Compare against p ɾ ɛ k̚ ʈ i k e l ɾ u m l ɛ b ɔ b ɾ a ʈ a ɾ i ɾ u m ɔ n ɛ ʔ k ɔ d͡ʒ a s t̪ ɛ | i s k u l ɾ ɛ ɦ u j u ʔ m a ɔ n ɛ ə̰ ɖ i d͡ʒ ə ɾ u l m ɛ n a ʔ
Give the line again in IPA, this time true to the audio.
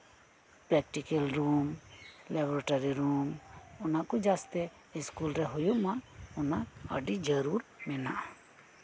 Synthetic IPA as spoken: p ɾ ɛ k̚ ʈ i k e l ɾ u m l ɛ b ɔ ɾ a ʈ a ɾ i ɾ u m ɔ n a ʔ k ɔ d͡ʒ a s t̪ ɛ | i s k u l ɾ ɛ ɦ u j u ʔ m a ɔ n a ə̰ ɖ i d͡ʒ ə ɾ u ɾ m ɛ n a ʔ